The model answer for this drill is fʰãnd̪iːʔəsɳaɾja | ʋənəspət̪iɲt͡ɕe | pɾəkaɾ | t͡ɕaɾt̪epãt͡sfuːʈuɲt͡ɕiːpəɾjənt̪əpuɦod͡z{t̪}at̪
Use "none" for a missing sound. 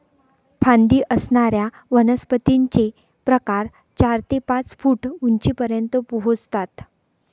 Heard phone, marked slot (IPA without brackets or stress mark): t̪